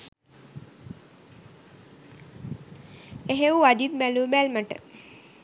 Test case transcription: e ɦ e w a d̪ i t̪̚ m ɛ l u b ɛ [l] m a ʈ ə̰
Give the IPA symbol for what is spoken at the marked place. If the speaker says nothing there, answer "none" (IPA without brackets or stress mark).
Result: l